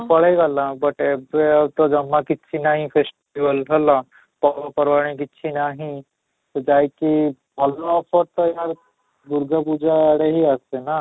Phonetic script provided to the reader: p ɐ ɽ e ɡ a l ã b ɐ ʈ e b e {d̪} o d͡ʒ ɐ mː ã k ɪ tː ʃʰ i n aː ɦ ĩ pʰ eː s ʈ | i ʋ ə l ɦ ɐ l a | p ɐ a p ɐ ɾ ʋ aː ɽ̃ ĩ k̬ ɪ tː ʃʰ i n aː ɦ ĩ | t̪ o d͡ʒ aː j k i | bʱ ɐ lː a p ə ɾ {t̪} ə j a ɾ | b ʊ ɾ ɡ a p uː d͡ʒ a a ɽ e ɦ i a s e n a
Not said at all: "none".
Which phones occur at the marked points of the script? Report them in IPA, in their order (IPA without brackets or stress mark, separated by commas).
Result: t̪, t̪